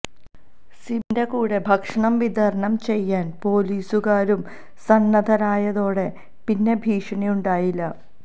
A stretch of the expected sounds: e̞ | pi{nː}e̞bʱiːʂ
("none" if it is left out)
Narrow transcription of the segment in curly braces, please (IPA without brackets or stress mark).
nː